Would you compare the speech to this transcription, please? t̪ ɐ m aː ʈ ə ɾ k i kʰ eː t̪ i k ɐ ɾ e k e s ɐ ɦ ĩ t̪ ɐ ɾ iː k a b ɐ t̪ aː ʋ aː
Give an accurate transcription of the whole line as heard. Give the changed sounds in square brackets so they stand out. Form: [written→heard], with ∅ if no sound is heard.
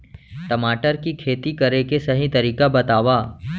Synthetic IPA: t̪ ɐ m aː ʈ ə ɾ k i kʰ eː t̪ i k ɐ ɾ e k e s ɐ ɦ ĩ t̪ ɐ ɾ iː k a b ɐ t̪ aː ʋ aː